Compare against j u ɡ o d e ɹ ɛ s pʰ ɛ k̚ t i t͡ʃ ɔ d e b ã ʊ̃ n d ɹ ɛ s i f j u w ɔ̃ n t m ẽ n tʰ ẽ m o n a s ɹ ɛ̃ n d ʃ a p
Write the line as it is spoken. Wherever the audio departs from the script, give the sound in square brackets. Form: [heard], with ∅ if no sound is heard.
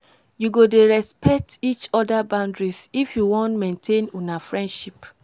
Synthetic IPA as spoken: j u ɡ o d e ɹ ɛ s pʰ ɛ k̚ t i t͡ʃ ɔ d [a] b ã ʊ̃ n d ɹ [i] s i f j u w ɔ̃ n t m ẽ n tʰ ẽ [n] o n a [f] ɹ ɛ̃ n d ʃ [i] p